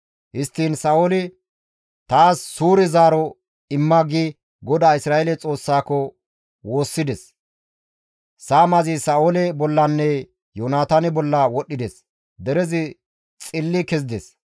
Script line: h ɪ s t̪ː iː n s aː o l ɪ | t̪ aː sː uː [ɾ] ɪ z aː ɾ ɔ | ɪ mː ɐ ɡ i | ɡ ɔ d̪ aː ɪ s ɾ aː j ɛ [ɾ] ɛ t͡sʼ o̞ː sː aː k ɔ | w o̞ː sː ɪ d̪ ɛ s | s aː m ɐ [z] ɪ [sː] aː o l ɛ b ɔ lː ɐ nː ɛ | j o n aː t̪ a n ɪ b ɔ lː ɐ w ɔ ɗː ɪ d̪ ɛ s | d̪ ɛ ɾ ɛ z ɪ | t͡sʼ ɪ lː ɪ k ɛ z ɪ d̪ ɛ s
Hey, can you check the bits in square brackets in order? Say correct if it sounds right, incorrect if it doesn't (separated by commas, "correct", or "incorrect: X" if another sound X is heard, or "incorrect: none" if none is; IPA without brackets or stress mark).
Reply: correct, incorrect: l, correct, incorrect: s